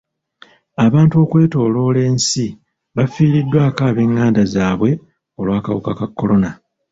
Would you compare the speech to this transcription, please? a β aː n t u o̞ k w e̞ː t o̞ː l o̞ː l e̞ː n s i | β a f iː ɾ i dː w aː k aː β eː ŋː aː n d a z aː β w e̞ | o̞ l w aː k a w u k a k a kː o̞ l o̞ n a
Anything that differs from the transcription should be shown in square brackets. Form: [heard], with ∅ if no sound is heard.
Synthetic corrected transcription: a β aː n t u o̞ k w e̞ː t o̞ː l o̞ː l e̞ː n s i | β a f iː ɾ i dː w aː k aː β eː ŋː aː n d a z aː β w e̞ | o̞ l w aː k a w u k a k a kː o̞ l o̞ n a